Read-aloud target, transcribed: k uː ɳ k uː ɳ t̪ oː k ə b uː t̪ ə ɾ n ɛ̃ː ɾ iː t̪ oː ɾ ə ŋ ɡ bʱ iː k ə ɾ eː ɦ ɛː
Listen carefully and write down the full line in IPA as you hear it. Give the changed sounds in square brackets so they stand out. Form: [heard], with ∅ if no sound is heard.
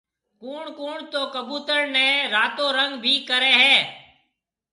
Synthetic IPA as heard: k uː ɳ k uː ɳ t̪ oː k ə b uː t̪ ə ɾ n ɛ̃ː ɾ [aː] t̪ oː ɾ ə ŋ ɡ bʱ iː k ə ɾ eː ɦ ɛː